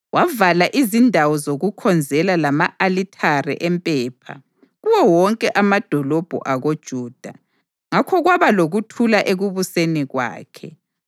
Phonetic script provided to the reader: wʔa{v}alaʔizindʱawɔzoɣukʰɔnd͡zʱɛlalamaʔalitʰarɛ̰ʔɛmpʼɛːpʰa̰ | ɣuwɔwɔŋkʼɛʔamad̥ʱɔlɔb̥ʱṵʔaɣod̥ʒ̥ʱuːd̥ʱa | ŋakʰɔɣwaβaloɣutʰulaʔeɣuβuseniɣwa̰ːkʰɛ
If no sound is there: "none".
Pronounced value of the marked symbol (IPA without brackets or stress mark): v